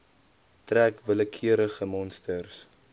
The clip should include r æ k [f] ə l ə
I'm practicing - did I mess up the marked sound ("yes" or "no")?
yes